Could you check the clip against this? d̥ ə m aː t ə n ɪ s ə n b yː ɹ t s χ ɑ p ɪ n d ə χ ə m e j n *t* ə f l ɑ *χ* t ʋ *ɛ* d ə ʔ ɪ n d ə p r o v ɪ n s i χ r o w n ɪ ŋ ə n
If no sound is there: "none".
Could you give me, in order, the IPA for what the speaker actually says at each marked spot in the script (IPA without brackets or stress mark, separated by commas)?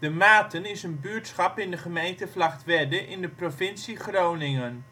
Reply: t, χ, ɛ